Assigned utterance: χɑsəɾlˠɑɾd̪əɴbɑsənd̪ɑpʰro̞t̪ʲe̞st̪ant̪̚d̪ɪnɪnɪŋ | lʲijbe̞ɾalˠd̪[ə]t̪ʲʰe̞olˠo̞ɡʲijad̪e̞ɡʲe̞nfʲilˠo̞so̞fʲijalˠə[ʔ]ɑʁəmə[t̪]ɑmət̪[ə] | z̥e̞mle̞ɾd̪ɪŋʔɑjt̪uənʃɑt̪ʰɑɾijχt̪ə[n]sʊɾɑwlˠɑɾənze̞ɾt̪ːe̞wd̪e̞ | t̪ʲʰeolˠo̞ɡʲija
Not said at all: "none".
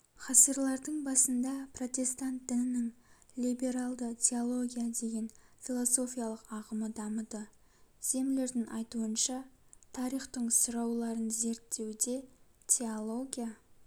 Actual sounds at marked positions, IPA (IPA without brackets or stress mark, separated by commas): ə, q, d̪, ə, ɴ